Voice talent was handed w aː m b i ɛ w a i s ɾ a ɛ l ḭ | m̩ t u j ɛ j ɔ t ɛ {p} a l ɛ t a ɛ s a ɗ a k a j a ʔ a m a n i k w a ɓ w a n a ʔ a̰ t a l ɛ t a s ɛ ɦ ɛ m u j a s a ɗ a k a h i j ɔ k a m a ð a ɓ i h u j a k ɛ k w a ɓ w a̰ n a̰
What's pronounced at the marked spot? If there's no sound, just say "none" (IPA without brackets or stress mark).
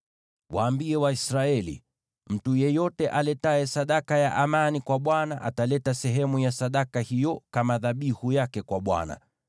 ʔ